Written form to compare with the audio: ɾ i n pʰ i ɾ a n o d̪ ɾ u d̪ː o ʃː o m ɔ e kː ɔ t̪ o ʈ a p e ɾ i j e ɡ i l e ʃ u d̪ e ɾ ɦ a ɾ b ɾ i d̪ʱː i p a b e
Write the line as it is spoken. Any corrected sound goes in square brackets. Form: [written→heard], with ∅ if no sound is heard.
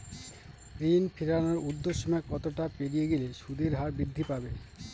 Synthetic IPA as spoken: ɾ i n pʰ i ɾ a n o [d̪→∅] ɾ u d̪ː o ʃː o m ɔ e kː ɔ t̪ o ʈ a p e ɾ i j e ɡ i l e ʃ u d̪ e ɾ ɦ a ɾ b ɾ i d̪ʱː i p a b e